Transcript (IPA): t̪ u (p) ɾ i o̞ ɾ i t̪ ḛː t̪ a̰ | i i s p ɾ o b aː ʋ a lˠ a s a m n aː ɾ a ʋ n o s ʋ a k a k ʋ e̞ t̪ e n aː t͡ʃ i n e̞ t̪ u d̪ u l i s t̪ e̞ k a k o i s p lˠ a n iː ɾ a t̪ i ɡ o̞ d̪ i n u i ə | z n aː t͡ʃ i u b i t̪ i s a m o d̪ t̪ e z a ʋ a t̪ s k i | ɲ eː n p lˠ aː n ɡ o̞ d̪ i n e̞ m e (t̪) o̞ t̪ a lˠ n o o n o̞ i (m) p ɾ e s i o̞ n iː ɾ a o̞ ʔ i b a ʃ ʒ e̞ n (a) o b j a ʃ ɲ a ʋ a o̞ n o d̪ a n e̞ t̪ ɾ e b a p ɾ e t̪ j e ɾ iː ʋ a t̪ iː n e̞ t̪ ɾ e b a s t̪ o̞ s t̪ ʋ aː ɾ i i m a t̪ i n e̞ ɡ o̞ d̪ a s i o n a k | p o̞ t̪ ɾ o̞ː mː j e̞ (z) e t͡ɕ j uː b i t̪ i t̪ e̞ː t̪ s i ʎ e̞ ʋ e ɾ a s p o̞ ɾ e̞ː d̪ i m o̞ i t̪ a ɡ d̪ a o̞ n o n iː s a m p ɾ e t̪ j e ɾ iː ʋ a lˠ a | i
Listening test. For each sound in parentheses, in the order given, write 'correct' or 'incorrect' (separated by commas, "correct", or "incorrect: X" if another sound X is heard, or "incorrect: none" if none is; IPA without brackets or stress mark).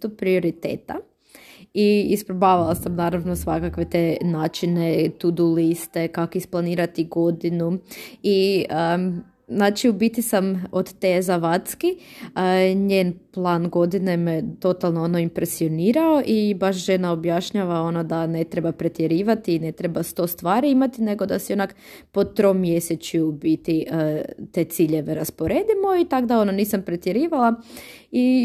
correct, correct, correct, correct, incorrect: s